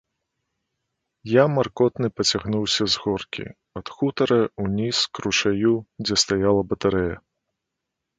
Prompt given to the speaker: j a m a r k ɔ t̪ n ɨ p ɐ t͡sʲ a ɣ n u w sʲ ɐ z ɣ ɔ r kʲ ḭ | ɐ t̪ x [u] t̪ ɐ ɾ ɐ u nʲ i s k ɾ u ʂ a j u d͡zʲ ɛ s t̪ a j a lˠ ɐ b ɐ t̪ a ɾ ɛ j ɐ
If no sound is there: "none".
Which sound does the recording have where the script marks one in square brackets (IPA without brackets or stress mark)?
u